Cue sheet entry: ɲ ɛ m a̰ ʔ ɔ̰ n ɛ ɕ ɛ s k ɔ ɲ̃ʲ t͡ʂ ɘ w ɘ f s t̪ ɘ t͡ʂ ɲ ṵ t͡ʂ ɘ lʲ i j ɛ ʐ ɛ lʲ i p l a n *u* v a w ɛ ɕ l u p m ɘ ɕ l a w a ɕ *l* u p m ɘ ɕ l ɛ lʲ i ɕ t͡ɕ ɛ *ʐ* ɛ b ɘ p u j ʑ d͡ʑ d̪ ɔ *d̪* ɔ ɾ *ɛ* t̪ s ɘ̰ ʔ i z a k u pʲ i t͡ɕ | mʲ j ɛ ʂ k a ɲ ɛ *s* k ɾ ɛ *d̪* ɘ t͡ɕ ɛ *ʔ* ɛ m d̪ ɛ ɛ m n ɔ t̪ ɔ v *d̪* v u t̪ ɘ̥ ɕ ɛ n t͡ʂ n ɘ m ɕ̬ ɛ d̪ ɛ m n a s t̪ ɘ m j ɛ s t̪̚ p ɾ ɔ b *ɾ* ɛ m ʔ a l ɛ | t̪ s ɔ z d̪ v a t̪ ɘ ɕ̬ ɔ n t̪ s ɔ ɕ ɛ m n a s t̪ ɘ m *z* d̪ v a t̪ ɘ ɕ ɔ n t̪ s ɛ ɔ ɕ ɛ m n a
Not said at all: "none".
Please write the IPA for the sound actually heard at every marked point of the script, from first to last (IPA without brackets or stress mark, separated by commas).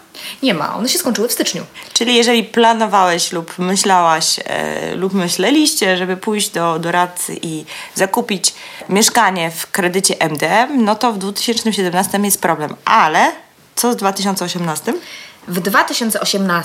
ɔ, l, ʐ, d̪, a, f, d̪, ʔ, d̪, l, v